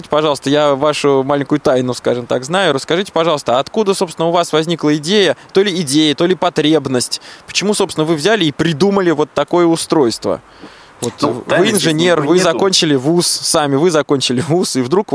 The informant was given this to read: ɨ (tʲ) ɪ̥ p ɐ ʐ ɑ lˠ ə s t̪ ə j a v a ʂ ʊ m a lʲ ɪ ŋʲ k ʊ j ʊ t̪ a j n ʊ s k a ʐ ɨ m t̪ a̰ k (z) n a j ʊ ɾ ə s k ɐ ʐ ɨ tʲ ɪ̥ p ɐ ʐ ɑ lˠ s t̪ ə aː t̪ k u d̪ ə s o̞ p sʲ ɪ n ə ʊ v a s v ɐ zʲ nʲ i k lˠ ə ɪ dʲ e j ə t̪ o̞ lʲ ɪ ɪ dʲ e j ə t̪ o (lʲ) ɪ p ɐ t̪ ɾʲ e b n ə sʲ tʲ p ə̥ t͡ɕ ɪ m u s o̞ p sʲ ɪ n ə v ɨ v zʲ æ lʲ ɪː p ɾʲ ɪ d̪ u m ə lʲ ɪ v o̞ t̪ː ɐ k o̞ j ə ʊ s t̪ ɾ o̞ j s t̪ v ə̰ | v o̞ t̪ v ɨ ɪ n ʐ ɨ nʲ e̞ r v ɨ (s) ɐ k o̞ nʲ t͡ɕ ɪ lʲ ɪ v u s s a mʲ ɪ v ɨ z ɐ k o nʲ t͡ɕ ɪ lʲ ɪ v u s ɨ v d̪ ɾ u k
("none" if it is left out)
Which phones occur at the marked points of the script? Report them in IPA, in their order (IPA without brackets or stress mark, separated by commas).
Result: tʲ, z, lʲ, z